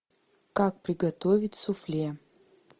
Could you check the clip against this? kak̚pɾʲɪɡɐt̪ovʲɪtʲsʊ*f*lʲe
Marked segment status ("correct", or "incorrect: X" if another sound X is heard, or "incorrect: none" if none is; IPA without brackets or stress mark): correct